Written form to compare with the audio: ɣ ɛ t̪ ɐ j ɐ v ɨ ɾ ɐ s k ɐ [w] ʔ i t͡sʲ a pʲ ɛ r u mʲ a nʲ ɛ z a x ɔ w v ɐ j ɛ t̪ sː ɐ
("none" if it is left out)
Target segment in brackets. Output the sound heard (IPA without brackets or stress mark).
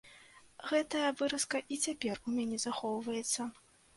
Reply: none